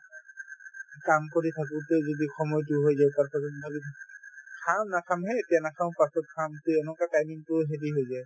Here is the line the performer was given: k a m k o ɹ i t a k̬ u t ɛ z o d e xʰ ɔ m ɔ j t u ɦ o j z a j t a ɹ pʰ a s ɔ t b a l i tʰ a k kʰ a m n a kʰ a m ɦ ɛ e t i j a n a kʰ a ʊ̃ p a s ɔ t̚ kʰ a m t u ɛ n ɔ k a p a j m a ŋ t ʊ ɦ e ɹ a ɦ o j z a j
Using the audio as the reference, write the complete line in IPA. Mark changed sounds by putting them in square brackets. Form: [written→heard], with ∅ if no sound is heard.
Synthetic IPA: k a m k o ɹ i [t→tʰ] a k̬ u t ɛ z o d [e→i] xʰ ɔ m ɔ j t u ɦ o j z a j t a ɹ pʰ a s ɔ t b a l i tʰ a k kʰ a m n a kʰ a m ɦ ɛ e t i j a n a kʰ a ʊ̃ p a s ɔ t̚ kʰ a m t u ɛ n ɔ k a [p→t] a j m [a→i] ŋ t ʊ ɦ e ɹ [a→i] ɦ o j z a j